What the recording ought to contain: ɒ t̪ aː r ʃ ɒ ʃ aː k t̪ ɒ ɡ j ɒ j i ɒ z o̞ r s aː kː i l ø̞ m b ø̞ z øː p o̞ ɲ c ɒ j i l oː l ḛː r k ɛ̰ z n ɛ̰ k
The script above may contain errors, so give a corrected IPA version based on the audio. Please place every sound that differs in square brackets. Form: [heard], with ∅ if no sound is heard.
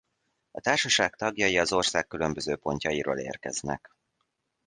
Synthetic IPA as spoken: ɒ t̪ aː r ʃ ɒ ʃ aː k t̪ ɒ ɡ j ɒ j i ɒ z o̞ r s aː kː [y] l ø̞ m b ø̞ z øː p o̞ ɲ c ɒ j i [ɾ] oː l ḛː r k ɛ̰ z n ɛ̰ k

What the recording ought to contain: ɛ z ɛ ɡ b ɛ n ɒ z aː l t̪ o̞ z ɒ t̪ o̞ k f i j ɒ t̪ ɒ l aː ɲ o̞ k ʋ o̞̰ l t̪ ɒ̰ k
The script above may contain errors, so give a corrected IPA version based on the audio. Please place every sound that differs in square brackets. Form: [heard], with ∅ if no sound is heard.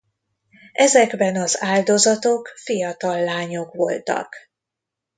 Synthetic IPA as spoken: ɛ z ɛ ɡ b ɛ n ɒ z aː l [d̪] o̞ z ɒ t̪ o̞ k f i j ɒ t̪ ɒ [lː] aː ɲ o̞ k ʋ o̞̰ l t̪ ɒ̰ k

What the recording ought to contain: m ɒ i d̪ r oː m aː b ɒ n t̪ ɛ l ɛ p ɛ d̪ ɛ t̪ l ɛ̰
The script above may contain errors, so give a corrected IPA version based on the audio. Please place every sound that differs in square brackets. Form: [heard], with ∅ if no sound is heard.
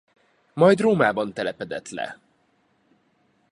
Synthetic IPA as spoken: m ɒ [j] d̪ r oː m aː b ɒ n t̪ ɛ l ɛ p ɛ d̪ ɛ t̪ l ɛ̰

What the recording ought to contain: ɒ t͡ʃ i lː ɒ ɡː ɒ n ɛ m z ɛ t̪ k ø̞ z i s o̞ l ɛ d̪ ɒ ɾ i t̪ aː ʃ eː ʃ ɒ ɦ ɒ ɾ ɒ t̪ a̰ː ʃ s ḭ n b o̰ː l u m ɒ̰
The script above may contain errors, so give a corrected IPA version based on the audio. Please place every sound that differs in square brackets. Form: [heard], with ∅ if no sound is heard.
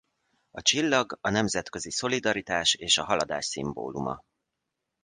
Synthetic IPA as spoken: ɒ t͡ʃ i lː ɒ [ɡ] ɒ n ɛ m z ɛ t̪ k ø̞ z i s o̞ l [i] d̪ ɒ ɾ i t̪ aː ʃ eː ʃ ɒ ɦ ɒ [l] ɒ [d̪] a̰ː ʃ s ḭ [m] b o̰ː l u m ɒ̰

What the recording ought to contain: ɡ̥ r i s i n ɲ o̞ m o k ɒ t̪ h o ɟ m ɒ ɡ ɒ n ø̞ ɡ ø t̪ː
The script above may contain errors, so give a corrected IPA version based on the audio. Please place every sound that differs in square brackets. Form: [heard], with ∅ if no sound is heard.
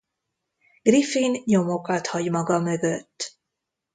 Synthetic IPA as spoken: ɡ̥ r i [f] i n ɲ o̞ m o k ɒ t̪ h [ɒ] ɟ m ɒ ɡ ɒ [m] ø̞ ɡ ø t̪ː

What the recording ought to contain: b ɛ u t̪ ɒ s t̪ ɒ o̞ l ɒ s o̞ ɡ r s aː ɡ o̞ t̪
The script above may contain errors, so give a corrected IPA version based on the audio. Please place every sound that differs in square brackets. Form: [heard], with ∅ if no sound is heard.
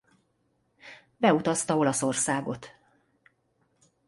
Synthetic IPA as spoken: b ɛ u t̪ ɒ s t̪ ɒ o̞ l ɒ s o̞ [∅] r s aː ɡ o̞ t̪

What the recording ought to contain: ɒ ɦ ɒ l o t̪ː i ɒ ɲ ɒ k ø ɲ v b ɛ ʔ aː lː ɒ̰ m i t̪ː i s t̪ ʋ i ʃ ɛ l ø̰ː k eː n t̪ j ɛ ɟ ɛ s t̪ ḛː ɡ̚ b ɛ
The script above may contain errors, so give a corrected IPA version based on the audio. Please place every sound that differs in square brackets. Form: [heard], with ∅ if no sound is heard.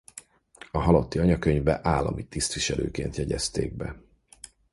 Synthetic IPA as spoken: ɒ ɦ ɒ l o t̪ː i ɒ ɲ ɒ k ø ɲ v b ɛ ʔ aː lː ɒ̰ m i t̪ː i s t̪ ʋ i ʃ ɛ l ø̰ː k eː n t̪ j ɛ ɟ ɛ s t̪ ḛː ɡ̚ b ɛ

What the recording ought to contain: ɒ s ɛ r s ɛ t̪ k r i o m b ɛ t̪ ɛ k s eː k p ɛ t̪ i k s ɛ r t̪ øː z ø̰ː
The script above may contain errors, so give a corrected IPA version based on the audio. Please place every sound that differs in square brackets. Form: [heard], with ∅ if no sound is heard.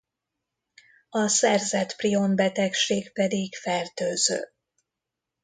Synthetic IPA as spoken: ɒ s ɛ r [z] ɛ t̪ [p] r i o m b ɛ t̪ ɛ k [ʃ] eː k p ɛ [d̪] i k [f] ɛ r t̪ øː z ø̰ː

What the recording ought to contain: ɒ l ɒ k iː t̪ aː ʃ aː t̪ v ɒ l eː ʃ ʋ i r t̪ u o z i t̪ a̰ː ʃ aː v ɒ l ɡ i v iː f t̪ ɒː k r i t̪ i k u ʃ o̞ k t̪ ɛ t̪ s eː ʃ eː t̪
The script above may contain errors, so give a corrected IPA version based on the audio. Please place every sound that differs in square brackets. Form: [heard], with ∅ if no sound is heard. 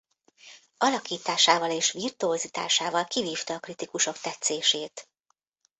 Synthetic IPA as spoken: ɒ l ɒ k iː t̪ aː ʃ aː [∅] v ɒ l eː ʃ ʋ i r t̪ u o z i t̪ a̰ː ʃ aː v ɒ l [k] i v iː f t̪ ɒː k r i t̪ i k u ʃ o̞ k t̪ ɛ t̪ s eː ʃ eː t̪

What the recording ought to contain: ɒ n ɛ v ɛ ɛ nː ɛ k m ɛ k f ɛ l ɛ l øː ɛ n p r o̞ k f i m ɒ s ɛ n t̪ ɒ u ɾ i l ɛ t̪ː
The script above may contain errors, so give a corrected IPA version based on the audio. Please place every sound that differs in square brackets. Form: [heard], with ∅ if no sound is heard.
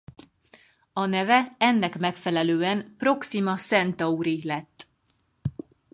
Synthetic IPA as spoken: ɒ n ɛ v ɛ ɛ nː ɛ k m ɛ k f ɛ l ɛ l øː ɛ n p r o̞ k [s] i m ɒ s ɛ n t̪ ɒ u ɾ i l ɛ t̪ː

